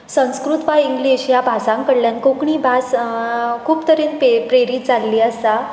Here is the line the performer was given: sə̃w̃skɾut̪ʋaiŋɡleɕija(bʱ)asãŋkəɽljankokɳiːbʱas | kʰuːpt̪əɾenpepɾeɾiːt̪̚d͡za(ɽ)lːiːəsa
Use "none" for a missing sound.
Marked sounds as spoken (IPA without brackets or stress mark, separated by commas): bʱ, none